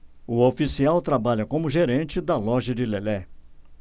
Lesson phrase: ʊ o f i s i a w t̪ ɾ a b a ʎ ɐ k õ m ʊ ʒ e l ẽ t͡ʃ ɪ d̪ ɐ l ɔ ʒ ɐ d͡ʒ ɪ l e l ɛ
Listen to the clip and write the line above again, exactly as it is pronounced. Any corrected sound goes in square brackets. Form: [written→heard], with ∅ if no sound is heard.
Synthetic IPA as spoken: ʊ o f i s i a w t̪ ɾ a b a ʎ ɐ k õ m ʊ ʒ e [l→ɾ] ẽ t͡ʃ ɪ d̪ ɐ l ɔ ʒ ɐ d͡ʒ ɪ l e l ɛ